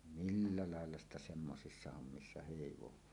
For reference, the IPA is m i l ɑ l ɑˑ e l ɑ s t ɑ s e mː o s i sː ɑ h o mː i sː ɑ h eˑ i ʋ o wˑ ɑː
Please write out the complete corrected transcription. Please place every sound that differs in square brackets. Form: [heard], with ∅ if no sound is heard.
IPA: m i [lː] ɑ l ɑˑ e [lː] ɑ s t ɑ s e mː o s i sː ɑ h o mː i sː ɑ h eˑ i ʋ o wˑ ɑː

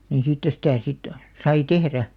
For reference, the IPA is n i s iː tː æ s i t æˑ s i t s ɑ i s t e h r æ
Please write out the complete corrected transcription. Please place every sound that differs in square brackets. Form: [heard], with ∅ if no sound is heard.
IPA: n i s iː tː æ s i t æˑ s i t s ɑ i [∅] t e h r æ

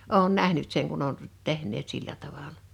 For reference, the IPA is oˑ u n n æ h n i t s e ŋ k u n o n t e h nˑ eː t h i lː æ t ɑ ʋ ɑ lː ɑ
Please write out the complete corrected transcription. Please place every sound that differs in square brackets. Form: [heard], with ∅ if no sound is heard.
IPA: oˑ u n n æ h n [y] t s e ŋ k u n o n t e h nˑ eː t [s] i lː æ t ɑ ʋ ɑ [l] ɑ

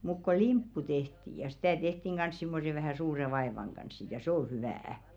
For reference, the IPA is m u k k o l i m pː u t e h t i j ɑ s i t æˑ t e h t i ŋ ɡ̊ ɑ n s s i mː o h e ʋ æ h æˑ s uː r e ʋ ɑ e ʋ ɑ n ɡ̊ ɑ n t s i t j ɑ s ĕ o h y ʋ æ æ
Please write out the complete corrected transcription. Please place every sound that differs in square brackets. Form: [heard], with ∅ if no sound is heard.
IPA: m u k k o l i m pː u t e h t i j ɑ s i t æˑ t e h t i ŋ ɡ̊ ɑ n s s i mː o [s] e ʋ æ h æˑ s uː r e ʋ ɑ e ʋ ɑ [ŋ] ɡ̊ ɑ n [s] s i t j ɑ s ĕ o h y ʋ æ æ

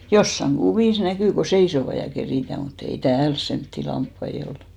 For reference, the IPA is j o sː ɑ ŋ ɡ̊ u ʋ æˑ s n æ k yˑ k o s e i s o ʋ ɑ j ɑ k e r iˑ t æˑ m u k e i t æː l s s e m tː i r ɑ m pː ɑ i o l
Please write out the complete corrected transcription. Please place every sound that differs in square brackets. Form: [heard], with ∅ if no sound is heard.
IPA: j o sː ɑ ŋ ɡ̊ u ʋ [iˑ] s n æ k yˑ k o s e i s o ʋ ɑ j ɑ k e r iˑ t æˑ m u [t] e i t æː l s s e m tː i [l] ɑ m pː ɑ i o l

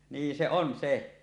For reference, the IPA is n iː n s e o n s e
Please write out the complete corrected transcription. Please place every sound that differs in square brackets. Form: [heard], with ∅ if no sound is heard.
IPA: n iː [∅] s e o n s e

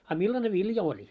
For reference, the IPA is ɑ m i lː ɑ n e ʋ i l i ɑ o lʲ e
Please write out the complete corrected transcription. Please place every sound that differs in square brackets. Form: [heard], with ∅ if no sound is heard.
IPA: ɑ m i lː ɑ n e ʋ i l [j] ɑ o lʲ [i]

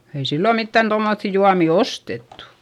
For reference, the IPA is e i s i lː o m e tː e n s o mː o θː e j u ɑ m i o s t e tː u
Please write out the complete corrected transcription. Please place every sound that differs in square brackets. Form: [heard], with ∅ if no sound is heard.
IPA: e i s i lː o m [i] tː [æ] n [t] o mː o θː [i] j u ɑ m i o s t e tː u

